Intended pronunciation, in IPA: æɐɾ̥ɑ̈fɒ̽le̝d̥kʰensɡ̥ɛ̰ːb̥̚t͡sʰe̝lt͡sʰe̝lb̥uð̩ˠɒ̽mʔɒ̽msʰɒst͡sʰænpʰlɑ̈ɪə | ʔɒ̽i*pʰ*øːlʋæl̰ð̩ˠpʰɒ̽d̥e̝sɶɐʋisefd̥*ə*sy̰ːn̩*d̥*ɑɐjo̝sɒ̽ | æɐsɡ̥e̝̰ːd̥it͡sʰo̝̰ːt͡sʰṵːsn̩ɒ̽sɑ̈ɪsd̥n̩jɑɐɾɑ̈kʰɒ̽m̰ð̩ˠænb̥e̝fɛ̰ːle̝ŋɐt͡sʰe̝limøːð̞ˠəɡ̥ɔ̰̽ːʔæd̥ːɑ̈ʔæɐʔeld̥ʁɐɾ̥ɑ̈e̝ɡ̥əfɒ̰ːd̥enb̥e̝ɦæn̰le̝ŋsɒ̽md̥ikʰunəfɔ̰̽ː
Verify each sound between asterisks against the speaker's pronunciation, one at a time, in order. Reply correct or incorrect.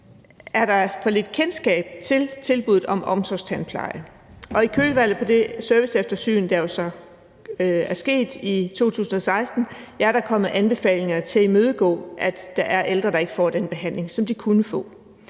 incorrect: kʰ, incorrect: ɐ, correct

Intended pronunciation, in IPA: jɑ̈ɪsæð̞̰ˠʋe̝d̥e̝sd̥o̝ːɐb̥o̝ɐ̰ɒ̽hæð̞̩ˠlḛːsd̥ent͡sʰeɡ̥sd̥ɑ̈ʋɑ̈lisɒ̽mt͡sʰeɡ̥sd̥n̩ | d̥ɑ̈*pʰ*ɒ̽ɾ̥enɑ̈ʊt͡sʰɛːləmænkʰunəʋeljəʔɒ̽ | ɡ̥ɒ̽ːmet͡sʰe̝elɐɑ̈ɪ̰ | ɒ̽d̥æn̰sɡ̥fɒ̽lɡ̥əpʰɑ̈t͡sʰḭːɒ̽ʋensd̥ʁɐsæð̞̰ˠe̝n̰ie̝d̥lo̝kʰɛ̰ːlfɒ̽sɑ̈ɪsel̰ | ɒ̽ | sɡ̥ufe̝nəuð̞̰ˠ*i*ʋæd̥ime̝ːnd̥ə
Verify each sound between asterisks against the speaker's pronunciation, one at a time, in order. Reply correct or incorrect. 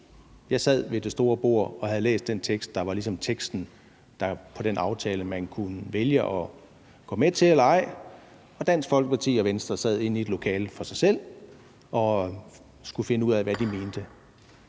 correct, incorrect: æ

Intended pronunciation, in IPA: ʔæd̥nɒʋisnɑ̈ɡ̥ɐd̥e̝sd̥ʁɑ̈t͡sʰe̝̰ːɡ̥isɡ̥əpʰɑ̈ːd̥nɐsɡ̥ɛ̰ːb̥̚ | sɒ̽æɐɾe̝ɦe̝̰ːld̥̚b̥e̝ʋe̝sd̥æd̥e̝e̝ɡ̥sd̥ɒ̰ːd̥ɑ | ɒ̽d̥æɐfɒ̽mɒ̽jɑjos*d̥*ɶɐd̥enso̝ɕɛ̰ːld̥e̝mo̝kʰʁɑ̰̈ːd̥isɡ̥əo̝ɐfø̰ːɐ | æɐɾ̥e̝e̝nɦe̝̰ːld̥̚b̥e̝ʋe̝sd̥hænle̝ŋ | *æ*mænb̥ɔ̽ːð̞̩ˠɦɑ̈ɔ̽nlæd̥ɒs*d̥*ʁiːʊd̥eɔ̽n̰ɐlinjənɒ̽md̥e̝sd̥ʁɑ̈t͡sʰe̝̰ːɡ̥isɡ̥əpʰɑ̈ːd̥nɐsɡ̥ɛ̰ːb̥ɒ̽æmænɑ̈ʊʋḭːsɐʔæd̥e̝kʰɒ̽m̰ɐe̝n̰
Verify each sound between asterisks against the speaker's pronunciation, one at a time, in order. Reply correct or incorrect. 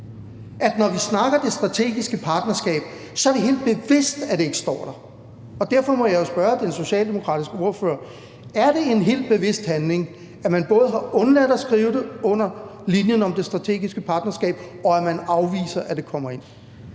incorrect: b̥, correct, incorrect: ɡ̥

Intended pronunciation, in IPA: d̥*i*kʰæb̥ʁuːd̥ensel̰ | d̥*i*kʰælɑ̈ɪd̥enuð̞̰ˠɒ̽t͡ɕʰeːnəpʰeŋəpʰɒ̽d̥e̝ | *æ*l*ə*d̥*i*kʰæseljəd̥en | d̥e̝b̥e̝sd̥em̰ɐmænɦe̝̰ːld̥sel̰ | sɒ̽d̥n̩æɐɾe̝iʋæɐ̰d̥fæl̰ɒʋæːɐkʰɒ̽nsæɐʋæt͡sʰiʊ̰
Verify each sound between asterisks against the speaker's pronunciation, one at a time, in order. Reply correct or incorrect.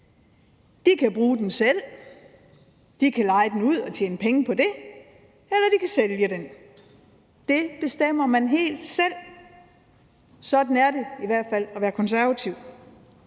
correct, correct, incorrect: e, incorrect: ɐ, correct

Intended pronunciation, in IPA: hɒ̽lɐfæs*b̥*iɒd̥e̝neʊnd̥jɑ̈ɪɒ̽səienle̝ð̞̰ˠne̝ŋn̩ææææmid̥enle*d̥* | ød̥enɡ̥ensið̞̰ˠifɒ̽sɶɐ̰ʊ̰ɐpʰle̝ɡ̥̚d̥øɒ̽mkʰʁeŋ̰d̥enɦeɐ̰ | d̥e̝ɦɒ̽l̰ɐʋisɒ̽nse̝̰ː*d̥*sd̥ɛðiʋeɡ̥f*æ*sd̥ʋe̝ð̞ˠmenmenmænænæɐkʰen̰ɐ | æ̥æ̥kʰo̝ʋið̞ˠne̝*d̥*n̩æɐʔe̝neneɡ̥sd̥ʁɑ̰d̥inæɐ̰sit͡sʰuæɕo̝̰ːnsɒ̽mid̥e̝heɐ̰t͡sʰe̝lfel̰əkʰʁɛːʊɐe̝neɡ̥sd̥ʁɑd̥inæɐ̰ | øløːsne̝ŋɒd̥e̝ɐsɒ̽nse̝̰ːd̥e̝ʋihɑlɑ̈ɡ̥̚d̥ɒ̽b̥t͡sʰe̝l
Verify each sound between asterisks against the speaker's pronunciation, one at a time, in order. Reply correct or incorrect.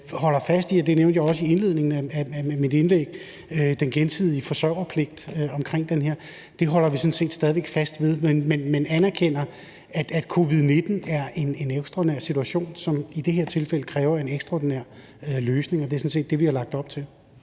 incorrect: d̥, incorrect: ɡ̥, correct, correct, correct

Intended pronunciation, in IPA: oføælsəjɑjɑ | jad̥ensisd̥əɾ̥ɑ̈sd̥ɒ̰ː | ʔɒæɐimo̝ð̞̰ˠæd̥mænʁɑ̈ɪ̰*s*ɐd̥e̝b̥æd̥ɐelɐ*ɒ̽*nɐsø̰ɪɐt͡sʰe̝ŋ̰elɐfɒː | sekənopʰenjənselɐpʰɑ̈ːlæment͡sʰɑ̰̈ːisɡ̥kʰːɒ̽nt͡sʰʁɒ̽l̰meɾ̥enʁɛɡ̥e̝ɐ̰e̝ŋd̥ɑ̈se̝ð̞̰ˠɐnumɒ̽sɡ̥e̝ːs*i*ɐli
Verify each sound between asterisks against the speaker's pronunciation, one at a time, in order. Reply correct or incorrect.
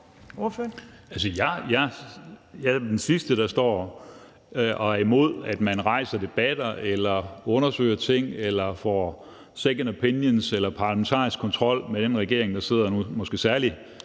correct, incorrect: ɔ̽, incorrect: æ

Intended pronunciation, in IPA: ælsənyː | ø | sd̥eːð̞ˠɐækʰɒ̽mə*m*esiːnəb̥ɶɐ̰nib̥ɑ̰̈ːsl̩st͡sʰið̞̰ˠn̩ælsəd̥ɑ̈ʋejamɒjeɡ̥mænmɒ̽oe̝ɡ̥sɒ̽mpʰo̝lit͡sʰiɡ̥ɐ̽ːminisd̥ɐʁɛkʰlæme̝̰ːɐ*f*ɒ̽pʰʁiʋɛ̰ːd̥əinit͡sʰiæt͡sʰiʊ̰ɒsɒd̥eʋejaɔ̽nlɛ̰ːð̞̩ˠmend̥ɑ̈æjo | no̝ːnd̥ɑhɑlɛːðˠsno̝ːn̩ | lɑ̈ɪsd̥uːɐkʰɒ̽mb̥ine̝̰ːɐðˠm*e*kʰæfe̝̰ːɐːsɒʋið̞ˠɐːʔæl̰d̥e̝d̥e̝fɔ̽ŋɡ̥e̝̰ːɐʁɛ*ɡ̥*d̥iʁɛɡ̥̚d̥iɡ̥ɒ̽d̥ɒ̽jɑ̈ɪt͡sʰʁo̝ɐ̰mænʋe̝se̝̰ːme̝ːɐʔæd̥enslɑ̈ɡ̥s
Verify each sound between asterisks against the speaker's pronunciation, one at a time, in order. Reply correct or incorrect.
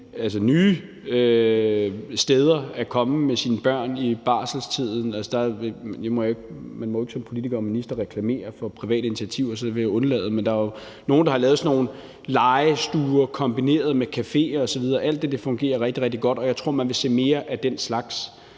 correct, correct, correct, correct

